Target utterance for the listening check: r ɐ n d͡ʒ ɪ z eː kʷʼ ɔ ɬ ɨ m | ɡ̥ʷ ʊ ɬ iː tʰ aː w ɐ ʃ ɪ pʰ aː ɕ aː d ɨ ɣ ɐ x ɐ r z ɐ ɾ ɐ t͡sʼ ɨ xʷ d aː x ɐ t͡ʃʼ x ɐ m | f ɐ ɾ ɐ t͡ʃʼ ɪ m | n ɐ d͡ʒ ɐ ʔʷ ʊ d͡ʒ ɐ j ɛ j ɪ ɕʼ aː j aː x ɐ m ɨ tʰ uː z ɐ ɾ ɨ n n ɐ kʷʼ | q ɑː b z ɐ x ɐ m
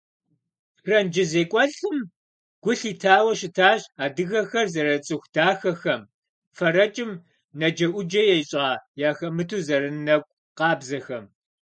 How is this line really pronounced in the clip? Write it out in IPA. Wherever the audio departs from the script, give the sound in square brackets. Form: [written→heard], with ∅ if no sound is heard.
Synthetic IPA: r ɐ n d͡ʒ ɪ z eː kʷʼ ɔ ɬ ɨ m | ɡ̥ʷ ʊ ɬ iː tʰ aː w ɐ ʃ ɪ [pʰ→tʰ] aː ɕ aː d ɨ ɣ ɐ x ɐ r z ɐ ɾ ɐ t͡sʼ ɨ xʷ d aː x ɐ [t͡ʃʼ→∅] x ɐ m | f ɐ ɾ ɐ t͡ʃʼ ɪ m | n ɐ d͡ʒ ɐ ʔʷ ʊ d͡ʒ ɐ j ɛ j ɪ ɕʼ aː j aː x ɐ m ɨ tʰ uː z ɐ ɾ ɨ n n ɐ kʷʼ | q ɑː b z ɐ x ɐ m